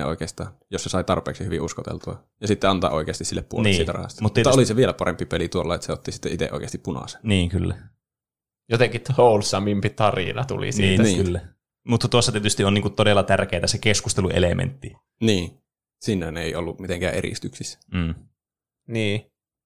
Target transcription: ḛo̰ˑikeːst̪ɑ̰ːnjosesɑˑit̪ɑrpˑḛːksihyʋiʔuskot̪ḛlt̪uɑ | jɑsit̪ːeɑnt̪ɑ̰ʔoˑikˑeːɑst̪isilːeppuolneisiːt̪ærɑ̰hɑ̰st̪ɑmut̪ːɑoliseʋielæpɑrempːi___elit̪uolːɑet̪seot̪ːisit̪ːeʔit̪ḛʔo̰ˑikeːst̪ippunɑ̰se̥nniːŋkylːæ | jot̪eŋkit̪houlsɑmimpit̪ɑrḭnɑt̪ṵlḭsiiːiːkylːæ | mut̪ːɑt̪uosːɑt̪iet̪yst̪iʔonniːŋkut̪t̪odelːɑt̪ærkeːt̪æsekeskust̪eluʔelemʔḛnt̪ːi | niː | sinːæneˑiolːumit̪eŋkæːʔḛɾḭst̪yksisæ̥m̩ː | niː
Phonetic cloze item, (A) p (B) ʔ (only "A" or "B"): A